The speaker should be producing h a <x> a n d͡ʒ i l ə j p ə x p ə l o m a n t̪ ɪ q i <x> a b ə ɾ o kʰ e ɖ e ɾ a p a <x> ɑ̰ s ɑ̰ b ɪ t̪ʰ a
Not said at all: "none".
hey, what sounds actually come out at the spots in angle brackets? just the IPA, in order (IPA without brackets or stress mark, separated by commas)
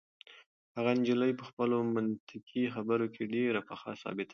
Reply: ɣ, x, x